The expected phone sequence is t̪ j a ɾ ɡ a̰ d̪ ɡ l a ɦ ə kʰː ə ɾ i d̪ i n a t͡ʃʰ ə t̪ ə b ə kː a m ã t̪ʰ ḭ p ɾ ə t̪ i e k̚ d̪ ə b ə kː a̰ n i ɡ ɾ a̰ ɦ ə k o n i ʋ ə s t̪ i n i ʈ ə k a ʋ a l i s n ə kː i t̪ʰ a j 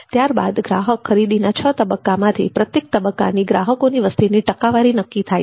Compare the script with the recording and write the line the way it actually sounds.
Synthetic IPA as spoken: t̪ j a ɾ b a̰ d̪ ɡ ɾ a ɦ ə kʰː ə ɾ i d̪ i n a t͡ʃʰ ə t̪ ə b ə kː a m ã t̪ʰ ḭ p ɾ ə t̪ j e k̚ t̪ ə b ə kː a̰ n i ɡ ɾ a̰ ɦ ə k o n i ʋ ə s t̪ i n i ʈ ə k a ʋ a ɾ i n ə kː i t̪ʰ a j